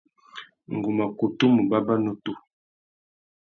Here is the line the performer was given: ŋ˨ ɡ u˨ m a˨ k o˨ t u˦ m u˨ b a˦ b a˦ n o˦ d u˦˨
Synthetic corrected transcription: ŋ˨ ɡ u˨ m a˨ k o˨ t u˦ m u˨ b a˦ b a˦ n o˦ t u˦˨